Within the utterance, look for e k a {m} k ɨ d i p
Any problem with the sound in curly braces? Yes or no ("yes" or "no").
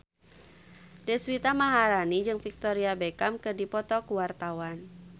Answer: no